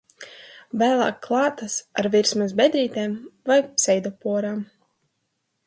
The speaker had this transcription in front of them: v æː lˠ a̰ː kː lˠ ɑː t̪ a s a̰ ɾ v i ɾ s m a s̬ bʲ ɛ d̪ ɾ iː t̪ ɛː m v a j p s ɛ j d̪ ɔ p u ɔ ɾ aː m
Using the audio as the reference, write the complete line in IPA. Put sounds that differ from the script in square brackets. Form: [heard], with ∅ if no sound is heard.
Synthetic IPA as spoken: v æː lˠ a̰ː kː lˠ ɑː t̪ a s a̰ ɾ v i ɾ s m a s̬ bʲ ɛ d̪ ɾ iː t̪ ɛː m v a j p s ɛ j d̪ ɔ p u ɔ ɾ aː m